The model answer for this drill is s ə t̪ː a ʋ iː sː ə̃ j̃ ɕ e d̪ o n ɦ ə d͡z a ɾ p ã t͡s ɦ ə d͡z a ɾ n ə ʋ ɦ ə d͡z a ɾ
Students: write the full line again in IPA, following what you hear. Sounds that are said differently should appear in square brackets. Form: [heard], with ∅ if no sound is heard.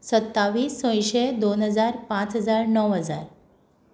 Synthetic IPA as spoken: s ə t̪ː a ʋ iː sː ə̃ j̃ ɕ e d̪ o n ɦ ə d͡z a ɾ p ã t͡s ɦ ə d͡z a ɾ n ə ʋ ɦ ə d͡z a ɾ